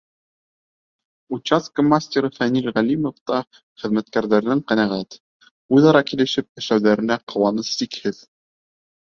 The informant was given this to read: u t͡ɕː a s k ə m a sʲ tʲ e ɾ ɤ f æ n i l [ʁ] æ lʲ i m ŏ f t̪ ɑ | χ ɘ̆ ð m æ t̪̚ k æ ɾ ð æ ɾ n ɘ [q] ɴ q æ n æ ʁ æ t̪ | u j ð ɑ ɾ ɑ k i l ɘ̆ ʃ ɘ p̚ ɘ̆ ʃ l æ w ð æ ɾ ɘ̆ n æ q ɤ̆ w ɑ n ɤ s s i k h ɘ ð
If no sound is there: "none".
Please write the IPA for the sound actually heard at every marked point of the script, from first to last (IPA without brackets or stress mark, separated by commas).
ʁ, none